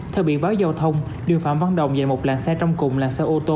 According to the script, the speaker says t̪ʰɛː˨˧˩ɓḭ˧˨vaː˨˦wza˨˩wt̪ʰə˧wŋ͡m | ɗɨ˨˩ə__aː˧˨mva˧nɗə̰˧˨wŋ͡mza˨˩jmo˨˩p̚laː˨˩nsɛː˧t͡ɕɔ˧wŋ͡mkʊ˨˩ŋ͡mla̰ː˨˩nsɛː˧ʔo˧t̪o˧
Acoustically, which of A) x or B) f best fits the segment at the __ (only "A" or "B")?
B